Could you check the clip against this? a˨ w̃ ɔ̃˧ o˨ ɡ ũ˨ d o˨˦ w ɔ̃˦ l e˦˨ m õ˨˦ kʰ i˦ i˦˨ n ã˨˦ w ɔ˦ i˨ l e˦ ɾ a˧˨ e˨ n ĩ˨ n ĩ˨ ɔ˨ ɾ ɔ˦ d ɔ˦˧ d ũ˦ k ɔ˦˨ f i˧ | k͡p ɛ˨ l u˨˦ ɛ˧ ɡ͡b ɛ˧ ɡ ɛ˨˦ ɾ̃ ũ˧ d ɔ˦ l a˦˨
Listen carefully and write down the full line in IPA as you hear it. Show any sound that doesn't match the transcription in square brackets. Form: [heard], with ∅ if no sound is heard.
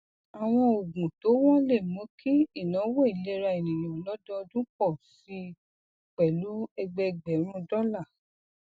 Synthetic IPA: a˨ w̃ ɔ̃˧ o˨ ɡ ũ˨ [t] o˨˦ w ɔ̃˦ l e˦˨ m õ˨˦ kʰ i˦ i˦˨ n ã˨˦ w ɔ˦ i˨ l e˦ ɾ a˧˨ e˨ n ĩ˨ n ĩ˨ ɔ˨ [l] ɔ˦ d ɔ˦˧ d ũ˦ k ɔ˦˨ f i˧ | k͡p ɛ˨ l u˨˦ ɛ˧ ɡ͡b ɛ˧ [ɡ͡b] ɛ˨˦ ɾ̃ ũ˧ d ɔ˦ l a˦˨